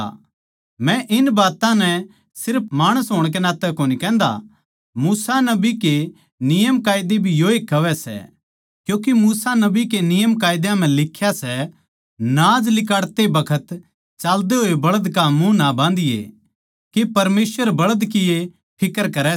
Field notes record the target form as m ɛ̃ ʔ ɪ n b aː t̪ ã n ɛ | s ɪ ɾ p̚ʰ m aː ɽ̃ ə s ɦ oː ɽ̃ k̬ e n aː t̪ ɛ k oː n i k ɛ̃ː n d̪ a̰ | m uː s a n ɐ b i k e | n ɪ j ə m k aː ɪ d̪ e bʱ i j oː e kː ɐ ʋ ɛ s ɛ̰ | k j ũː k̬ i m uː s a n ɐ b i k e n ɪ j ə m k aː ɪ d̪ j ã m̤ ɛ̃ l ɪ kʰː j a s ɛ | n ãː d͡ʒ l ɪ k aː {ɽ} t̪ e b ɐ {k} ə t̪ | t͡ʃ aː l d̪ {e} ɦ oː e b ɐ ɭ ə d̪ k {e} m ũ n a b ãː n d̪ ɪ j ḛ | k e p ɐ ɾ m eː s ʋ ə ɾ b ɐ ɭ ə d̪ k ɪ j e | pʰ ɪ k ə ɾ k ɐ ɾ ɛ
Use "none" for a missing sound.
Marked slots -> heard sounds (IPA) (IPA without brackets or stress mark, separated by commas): ɽ, kʰ, e, a